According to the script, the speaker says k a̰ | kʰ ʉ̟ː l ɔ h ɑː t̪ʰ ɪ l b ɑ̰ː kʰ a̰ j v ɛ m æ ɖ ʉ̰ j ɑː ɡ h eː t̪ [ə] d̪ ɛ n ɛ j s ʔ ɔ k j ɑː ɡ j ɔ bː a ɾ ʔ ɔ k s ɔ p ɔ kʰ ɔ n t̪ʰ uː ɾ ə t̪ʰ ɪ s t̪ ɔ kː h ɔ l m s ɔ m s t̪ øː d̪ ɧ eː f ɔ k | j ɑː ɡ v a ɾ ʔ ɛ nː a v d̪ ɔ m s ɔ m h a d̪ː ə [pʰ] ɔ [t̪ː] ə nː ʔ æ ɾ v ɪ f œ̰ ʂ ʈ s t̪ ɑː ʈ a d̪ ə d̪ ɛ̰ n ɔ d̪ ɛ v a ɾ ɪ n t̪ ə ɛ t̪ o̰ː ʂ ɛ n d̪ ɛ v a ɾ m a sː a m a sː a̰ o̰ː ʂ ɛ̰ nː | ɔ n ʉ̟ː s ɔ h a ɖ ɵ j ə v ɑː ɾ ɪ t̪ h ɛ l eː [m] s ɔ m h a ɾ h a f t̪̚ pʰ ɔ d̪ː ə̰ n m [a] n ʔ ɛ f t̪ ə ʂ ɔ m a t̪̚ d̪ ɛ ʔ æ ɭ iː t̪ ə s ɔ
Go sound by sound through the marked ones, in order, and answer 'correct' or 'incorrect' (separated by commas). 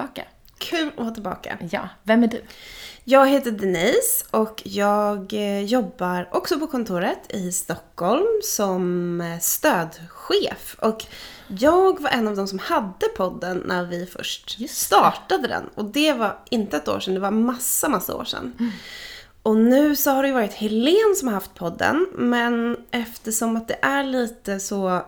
correct, correct, incorrect, incorrect, incorrect